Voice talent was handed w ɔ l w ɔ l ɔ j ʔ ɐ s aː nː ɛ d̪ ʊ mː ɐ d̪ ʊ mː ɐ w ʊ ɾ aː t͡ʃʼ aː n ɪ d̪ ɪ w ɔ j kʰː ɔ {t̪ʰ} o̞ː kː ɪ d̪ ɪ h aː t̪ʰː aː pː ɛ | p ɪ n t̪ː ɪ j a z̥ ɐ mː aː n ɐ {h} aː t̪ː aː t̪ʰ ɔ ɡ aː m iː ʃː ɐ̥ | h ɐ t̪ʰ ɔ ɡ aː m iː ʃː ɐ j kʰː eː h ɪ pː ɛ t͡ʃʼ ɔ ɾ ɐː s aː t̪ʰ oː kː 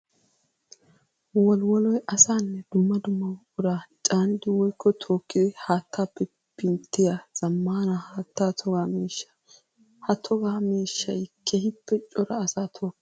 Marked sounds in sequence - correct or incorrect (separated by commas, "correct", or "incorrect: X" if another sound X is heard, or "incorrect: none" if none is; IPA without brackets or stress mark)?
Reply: correct, correct